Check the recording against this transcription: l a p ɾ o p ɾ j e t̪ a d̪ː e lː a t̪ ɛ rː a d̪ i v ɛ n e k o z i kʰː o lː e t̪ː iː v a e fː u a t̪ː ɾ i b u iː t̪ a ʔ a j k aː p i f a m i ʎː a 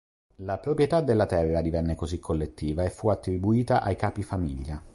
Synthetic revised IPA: l a p ɾ o p ɾ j e t̪ a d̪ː e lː a t̪ ɛ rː a d̪ i v ɛ nː e k o z i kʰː o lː e t̪ː iː v a e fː u a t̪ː ɾ i b u iː t̪ a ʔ a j k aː p i f a m i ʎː a